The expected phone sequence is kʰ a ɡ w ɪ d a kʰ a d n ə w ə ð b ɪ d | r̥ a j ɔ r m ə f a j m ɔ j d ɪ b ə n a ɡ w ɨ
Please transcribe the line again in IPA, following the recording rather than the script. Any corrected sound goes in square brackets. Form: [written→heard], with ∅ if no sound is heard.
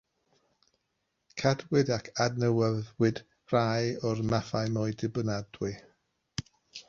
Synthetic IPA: kʰ a [ɡ→d] w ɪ d a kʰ a d n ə w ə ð [b→w] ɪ d | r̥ a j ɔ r m [ə→a] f a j m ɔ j d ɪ b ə n a [ɡ→d] w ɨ